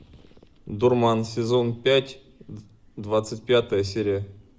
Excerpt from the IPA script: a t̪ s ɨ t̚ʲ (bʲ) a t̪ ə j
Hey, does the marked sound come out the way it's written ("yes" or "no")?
no